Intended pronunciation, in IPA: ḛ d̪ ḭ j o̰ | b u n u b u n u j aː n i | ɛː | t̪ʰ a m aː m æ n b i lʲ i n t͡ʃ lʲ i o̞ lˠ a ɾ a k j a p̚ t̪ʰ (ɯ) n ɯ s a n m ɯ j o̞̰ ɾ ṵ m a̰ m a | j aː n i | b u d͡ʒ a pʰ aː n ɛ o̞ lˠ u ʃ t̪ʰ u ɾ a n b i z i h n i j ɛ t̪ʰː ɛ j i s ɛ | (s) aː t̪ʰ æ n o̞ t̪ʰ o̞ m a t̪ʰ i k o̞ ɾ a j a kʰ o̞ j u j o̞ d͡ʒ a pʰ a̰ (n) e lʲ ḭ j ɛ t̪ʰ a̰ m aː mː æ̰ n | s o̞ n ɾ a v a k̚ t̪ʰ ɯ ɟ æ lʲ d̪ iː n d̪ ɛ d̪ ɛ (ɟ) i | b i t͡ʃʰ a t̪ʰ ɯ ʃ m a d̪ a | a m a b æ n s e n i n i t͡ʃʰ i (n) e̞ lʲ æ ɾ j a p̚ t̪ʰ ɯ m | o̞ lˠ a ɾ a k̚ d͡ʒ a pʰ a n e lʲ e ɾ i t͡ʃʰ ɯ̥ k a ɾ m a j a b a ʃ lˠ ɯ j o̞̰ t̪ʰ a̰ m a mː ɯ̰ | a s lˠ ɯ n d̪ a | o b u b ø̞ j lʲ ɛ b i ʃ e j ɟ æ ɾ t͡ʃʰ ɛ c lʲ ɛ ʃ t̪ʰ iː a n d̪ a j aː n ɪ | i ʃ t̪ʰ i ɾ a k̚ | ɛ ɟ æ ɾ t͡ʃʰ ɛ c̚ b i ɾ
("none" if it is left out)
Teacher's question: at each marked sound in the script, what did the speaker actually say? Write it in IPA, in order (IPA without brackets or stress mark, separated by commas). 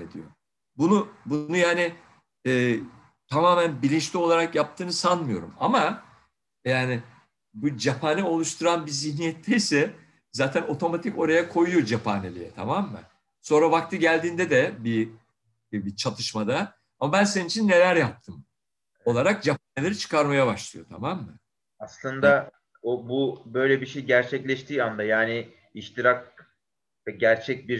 ɯː, z, n, b, nː